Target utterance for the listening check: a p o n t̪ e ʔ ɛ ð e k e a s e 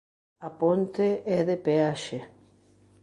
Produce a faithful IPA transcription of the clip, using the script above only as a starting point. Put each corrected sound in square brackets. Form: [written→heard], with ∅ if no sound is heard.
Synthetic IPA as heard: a p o n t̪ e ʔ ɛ ð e [k→p] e a [s→ʃ] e